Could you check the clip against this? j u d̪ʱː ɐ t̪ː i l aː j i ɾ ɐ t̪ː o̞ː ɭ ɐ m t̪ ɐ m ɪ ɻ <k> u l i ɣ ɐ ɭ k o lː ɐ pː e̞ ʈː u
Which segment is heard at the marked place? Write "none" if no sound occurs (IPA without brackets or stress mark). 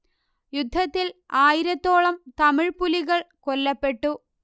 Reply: p